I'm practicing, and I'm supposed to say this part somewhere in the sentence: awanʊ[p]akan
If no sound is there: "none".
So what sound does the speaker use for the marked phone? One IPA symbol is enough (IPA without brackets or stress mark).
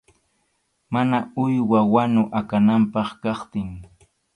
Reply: ʔ